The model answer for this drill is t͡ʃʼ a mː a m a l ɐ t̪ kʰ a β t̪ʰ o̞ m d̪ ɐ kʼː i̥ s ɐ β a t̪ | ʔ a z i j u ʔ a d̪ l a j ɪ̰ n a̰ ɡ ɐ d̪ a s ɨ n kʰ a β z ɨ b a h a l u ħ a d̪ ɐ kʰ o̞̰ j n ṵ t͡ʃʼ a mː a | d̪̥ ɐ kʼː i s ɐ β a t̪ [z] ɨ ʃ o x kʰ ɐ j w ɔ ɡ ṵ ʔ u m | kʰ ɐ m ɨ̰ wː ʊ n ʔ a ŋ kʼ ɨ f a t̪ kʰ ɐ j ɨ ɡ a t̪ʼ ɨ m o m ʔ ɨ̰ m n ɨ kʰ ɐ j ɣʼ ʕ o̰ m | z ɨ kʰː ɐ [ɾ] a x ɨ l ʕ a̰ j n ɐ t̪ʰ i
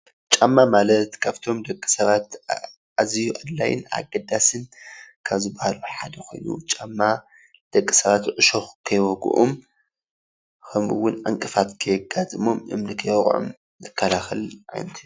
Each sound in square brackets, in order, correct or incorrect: incorrect: ʕ, incorrect: l

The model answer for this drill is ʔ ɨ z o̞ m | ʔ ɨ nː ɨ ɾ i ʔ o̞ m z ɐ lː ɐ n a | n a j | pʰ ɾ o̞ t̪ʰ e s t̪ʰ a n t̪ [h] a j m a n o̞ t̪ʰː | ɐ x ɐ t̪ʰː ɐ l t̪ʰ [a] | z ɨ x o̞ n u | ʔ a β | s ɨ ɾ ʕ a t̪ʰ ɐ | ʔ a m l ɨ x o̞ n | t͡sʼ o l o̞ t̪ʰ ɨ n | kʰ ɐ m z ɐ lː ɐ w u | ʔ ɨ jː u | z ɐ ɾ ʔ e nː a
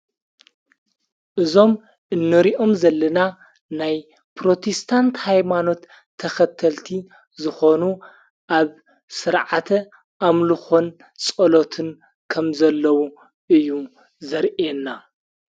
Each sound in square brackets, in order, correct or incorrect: correct, incorrect: i

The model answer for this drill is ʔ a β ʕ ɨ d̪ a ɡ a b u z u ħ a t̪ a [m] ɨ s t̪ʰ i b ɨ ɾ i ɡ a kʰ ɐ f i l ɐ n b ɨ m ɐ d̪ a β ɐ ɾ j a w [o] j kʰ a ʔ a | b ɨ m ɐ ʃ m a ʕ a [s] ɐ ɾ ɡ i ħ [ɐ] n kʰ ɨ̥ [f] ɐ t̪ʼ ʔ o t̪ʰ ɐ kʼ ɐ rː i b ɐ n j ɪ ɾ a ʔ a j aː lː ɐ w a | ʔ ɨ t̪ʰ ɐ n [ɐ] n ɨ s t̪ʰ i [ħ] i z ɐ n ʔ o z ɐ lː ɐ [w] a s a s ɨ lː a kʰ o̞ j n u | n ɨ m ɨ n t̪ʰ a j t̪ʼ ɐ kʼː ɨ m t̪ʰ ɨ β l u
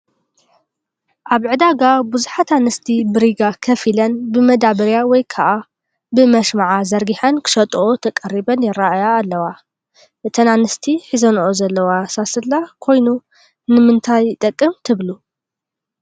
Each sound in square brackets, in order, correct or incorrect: incorrect: n, incorrect: ɔ, incorrect: z, correct, incorrect: ʃ, incorrect: a, correct, correct

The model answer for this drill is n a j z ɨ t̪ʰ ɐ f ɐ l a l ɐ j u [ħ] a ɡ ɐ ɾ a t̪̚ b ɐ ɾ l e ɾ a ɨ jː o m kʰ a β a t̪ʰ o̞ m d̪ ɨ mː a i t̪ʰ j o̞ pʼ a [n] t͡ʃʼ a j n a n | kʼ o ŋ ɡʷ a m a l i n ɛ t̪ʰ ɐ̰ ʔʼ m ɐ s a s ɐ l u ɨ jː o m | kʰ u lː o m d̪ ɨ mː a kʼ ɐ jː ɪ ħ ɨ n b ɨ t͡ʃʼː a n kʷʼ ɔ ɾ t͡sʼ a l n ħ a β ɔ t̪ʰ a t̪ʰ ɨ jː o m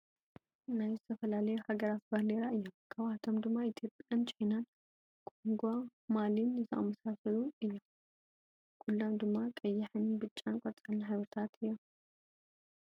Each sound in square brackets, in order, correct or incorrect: incorrect: h, correct

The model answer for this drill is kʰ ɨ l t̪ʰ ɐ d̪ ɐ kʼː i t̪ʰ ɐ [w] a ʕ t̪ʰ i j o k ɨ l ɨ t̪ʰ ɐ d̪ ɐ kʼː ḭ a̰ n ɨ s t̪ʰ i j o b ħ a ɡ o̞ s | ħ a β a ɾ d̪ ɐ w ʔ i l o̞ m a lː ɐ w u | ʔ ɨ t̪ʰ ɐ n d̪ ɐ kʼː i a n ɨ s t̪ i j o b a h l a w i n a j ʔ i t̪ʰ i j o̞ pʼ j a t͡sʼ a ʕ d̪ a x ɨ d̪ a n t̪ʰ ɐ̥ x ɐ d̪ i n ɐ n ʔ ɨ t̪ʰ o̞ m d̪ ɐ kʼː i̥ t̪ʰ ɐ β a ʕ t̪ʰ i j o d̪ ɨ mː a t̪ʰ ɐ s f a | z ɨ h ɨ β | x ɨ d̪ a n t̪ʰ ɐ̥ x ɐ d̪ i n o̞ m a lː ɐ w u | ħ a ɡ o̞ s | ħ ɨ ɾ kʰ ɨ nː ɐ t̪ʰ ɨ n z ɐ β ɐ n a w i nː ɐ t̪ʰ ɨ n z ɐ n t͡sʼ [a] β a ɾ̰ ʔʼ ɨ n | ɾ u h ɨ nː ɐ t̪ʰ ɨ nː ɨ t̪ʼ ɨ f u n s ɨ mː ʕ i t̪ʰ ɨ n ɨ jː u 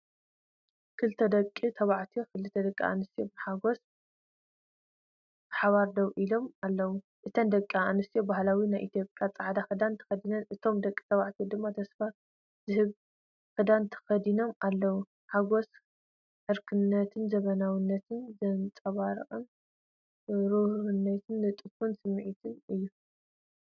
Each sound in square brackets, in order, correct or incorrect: incorrect: β, incorrect: ɐ

